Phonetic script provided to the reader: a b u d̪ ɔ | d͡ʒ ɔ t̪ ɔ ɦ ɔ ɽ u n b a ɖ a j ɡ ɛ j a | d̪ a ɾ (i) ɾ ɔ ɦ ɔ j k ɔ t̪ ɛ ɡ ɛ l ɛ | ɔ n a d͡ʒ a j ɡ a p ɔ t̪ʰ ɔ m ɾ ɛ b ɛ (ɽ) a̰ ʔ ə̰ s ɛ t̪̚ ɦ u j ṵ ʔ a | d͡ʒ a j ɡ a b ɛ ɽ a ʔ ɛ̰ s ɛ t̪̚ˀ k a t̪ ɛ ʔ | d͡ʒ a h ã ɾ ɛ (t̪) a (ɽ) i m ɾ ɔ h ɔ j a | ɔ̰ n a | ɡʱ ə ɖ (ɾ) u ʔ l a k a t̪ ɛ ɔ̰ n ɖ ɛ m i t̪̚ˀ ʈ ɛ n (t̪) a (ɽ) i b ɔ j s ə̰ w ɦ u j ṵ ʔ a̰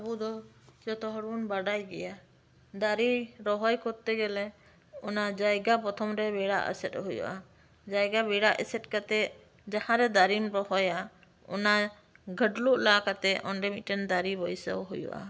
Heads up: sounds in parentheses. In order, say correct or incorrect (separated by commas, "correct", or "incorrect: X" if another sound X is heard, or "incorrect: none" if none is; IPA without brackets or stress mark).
correct, correct, incorrect: d̪, incorrect: ɾ, incorrect: l, incorrect: d̪, incorrect: ɾ